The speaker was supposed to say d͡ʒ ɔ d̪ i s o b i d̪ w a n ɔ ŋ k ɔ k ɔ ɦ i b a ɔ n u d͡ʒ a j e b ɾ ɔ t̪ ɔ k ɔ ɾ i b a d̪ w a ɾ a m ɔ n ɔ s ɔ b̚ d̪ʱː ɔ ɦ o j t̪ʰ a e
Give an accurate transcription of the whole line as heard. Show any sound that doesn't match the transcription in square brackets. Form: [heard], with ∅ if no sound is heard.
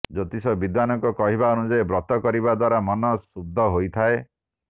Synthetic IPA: d͡ʒ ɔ [t̪] i s [ɔ] b i d̪ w a n ɔ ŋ k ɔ k ɔ ɦ i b a ɔ n u d͡ʒ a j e b ɾ ɔ t̪ ɔ k ɔ ɾ i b a d̪ w a ɾ a m ɔ n ɔ s [u] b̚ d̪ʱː ɔ ɦ o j t̪ʰ a e